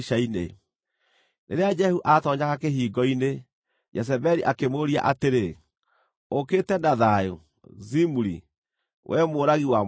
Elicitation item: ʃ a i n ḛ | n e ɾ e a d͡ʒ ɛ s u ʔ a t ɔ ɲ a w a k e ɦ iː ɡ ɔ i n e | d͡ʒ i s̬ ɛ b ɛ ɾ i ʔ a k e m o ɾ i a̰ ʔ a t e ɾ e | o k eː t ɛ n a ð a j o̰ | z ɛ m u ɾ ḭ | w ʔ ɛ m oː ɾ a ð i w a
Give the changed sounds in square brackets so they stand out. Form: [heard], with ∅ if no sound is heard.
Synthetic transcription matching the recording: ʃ a i n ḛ | n e ɾ e a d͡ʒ ɛ [h] u ʔ a t ɔ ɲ a [ɣ] a k e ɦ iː ɡ ɔ i n e | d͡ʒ [ɛ] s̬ ɛ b ɛ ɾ i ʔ a k e m o ɾ i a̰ ʔ a t e ɾ e | o k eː t ɛ n a ð a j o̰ | z [i] m u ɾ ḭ | w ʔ ɛ m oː ɾ a [ɣ] i w a